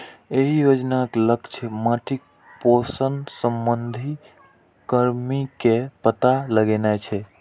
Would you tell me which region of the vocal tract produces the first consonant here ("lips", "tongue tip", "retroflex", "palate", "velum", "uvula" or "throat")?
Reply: throat